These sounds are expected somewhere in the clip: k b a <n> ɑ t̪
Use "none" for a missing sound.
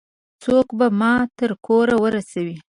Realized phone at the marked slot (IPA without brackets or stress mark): m